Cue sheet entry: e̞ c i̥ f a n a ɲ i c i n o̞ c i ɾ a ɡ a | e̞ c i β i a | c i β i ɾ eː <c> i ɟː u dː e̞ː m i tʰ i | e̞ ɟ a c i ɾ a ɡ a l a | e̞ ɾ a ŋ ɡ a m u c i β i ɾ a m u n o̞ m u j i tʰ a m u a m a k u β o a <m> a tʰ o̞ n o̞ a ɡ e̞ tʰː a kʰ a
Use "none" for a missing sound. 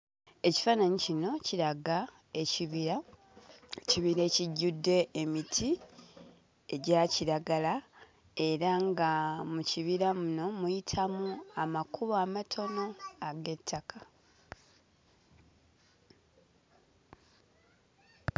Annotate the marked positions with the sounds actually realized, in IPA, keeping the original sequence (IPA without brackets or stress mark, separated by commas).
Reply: c, m